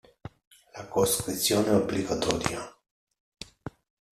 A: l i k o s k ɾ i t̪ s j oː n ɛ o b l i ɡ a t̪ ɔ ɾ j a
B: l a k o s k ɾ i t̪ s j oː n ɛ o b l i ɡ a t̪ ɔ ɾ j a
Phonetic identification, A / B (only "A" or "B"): B